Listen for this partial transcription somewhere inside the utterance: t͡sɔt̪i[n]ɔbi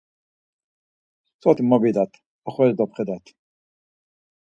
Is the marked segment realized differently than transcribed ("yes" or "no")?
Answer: yes